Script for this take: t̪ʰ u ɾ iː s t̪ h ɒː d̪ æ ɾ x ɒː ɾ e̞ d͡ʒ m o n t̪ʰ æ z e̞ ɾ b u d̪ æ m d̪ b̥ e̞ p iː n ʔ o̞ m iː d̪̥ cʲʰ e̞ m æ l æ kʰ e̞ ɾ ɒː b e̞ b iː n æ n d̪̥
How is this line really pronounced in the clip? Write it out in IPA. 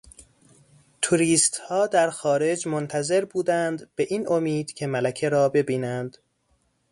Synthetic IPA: t̪ʰ u ɾ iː s t̪ h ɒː d̪ æ ɾ x ɒː ɾ e̞ d͡ʒ m o n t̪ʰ æ z e̞ ɾ b uː d̪ æ n d̪ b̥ e̞ ʔ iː n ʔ o̞ m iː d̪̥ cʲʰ e̞ m æ l æ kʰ e̞ ɾ ɒː b e̞ b iː n æ n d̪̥